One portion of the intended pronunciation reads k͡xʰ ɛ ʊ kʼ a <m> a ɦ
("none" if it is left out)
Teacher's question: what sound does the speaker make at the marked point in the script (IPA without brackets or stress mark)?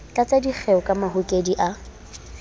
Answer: m